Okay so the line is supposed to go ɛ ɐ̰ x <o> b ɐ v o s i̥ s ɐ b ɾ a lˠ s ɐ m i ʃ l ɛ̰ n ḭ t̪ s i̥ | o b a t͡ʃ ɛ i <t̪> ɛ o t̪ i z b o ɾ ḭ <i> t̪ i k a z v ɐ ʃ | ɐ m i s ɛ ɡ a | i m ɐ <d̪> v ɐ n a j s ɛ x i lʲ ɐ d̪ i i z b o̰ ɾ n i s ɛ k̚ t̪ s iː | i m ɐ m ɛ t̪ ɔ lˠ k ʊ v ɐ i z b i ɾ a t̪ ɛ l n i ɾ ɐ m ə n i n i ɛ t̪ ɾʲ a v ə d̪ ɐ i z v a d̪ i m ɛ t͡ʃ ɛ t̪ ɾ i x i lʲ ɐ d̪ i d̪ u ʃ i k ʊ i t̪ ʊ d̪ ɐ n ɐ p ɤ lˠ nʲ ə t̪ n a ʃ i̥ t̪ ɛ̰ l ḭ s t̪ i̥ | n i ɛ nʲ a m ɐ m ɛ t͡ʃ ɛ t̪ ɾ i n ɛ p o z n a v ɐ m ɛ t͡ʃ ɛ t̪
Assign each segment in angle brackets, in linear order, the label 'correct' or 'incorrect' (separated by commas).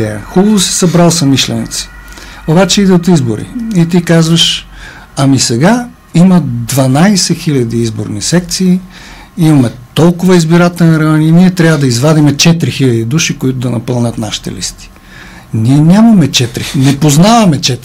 incorrect, incorrect, correct, correct